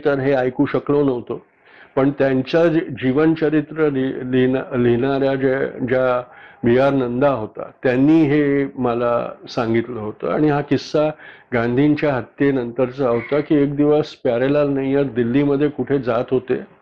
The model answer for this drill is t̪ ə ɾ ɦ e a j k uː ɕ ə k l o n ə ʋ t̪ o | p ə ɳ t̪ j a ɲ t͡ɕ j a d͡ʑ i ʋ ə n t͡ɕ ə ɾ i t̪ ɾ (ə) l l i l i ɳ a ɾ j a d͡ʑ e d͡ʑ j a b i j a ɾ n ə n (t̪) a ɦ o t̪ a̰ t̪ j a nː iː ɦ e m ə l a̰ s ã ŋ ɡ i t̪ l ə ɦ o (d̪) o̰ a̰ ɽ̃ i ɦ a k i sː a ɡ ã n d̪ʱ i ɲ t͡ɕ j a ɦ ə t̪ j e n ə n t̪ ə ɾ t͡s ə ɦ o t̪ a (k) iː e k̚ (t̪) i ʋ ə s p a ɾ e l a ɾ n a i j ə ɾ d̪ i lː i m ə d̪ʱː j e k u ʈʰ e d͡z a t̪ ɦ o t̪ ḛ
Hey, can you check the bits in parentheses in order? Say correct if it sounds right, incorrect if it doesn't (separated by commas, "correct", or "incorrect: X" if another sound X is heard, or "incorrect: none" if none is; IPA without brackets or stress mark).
correct, incorrect: d̪, incorrect: t̪, correct, incorrect: d̪